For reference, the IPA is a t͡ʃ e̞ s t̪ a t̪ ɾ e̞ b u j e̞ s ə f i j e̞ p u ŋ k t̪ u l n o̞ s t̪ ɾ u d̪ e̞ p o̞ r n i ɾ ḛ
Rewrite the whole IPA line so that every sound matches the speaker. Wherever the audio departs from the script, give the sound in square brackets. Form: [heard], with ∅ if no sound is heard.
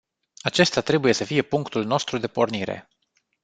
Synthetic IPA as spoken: a t͡ʃ e̞ s t̪ a t̪ ɾ e̞ b u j e̞ s ə f i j e̞ p u ŋ k t̪ u l n o̞ s t̪ ɾ u d̪ e̞ p o̞ r n i ɾ ḛ